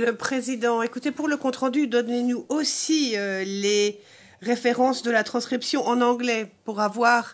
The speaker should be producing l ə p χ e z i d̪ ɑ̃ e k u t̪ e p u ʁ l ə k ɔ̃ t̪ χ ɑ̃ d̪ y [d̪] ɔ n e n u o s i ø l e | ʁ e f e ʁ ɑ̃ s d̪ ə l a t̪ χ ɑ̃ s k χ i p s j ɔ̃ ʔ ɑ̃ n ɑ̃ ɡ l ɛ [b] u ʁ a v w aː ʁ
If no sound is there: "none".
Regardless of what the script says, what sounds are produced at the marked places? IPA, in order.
d̪, p

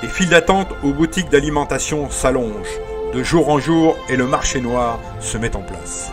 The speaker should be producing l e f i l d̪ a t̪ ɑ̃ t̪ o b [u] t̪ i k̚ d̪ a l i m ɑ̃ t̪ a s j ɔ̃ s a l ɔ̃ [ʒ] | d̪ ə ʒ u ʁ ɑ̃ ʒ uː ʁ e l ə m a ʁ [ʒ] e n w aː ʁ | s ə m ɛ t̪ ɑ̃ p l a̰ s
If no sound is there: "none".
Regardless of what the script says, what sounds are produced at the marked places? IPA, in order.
u, ʒ, ʃ

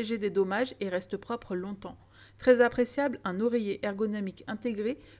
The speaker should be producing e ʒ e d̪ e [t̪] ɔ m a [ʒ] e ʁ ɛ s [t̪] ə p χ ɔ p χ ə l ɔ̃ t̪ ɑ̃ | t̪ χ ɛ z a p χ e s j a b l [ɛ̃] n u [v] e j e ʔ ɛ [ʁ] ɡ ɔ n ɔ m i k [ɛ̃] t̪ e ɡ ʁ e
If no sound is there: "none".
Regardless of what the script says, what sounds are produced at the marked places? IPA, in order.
d̪, ʒ, t̪, ɛ̃, ʁ, ʁ, ɛ̃

